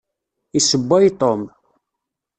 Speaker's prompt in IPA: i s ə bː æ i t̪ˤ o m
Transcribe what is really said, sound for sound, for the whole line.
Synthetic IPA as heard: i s ə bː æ j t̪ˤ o m